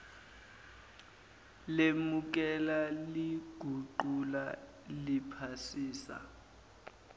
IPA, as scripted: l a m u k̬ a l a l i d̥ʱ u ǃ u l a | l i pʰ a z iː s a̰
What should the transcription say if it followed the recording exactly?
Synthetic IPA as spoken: l e m u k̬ ɛ l a l i ɡ̥ʱ u ǃ u l a | l i pʰ a s iː s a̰